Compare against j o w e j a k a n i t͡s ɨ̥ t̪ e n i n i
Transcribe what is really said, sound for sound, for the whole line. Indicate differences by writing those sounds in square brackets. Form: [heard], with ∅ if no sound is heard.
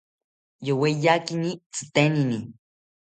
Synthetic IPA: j o w e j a k [i] n i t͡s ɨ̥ t̪ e n i n i